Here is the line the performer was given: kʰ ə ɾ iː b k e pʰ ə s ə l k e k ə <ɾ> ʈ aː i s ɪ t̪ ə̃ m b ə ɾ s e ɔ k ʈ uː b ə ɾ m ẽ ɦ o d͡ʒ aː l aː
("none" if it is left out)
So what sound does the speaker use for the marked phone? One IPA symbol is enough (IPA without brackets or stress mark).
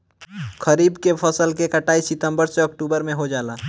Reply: none